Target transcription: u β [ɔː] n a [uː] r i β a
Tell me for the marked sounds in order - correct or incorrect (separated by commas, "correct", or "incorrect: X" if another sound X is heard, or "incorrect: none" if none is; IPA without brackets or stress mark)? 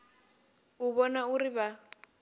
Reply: incorrect: ɔ, incorrect: u